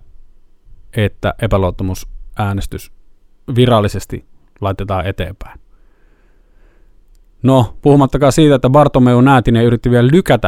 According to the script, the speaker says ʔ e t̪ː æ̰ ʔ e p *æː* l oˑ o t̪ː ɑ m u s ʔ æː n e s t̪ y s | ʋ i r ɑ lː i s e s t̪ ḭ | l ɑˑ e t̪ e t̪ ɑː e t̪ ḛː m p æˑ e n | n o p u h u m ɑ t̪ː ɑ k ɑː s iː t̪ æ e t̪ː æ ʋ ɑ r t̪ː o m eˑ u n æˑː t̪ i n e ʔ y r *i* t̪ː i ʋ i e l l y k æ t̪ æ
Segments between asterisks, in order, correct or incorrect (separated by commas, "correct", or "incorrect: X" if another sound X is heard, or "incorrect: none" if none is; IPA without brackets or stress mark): incorrect: æ, correct